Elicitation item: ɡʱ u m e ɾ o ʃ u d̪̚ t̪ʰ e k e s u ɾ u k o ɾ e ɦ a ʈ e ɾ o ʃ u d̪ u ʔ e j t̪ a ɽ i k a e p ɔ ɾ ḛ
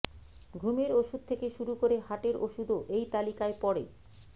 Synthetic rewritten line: ɡʱ u m e ɾ o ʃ u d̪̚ t̪ʰ e k e ʃ u ɾ u k o ɾ e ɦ a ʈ e ɾ o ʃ u d̪ o ʔ e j t̪ a l i k a e p ɔ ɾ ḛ